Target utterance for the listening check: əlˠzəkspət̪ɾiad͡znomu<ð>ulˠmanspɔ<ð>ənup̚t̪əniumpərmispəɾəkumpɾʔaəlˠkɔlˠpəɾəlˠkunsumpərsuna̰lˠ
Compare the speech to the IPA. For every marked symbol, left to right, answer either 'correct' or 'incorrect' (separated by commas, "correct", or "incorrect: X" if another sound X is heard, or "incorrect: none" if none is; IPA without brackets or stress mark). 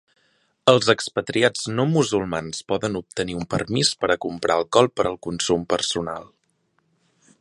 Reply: incorrect: z, correct